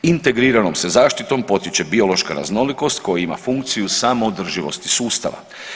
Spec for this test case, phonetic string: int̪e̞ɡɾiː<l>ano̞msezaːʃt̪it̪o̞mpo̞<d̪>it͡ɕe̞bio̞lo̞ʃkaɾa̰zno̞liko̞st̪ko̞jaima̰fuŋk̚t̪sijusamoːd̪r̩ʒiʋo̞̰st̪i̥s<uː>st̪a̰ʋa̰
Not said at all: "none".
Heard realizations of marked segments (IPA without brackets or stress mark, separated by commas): ɾ, t̪, uː